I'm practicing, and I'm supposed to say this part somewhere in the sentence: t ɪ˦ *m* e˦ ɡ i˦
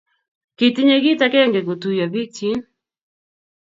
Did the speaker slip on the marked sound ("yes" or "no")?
yes